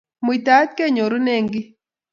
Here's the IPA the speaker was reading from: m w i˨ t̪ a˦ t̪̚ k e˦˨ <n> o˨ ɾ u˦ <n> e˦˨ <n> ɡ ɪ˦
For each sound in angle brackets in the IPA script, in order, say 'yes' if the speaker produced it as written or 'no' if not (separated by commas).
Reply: no, yes, no